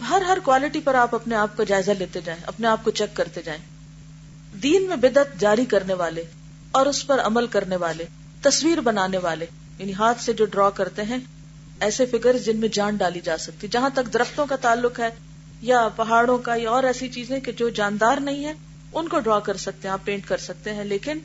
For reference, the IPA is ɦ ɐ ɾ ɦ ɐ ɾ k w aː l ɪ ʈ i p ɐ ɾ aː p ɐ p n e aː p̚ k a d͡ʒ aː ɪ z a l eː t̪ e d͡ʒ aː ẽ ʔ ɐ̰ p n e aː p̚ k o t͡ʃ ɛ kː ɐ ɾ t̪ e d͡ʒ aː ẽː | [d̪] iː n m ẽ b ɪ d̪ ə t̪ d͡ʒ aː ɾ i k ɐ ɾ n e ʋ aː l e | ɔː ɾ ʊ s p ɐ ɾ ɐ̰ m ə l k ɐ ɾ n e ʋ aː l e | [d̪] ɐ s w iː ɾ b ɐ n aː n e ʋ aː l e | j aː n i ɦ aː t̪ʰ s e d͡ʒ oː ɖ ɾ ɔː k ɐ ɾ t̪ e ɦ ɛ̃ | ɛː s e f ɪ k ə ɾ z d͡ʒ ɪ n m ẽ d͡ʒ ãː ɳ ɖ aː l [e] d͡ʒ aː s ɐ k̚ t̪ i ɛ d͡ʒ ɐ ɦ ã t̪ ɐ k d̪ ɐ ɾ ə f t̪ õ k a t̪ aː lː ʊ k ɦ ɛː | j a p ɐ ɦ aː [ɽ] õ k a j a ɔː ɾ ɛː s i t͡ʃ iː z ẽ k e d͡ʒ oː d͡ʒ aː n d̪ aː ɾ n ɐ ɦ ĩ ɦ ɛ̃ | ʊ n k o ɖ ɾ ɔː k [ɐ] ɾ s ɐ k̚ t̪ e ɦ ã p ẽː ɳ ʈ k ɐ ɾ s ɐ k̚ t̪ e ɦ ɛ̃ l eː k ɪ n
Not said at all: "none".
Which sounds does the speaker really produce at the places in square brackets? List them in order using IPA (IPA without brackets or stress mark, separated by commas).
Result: d̪, t̪, i, ɽ, ɐ